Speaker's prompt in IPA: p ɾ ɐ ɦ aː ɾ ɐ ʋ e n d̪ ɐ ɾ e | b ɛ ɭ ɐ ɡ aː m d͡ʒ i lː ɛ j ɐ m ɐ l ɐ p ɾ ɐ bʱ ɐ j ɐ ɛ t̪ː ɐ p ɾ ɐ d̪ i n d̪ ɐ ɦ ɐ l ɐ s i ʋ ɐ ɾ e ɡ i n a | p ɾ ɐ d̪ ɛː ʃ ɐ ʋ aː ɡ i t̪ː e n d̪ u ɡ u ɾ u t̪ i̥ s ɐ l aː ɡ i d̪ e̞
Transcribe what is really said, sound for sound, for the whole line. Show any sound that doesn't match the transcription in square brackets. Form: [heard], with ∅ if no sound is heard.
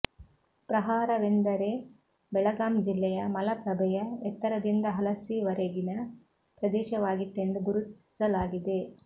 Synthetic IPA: p ɾ ɐ ɦ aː ɾ ɐ ʋ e n d̪ ɐ ɾ e | b ɛ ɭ ɐ ɡ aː m d͡ʒ i lː ɛ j ɐ m ɐ l ɐ p ɾ ɐ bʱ ɐ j ɐ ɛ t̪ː ɐ [∅] ɾ ɐ d̪ i n d̪ ɐ ɦ ɐ l ɐ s i ʋ ɐ ɾ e ɡ i n [ɐ] | p ɾ ɐ d̪ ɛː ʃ ɐ ʋ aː ɡ i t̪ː e n d̪ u ɡ u ɾ u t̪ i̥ s ɐ l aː ɡ i d̪ e̞